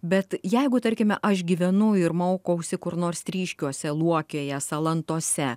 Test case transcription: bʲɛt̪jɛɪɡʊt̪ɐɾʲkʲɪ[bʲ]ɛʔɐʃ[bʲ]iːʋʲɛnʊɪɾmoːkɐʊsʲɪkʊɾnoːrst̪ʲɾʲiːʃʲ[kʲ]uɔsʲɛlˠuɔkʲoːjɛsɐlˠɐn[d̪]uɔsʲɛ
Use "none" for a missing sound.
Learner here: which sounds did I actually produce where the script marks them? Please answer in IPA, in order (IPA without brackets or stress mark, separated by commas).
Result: mʲ, ɡʲ, kʲ, t̪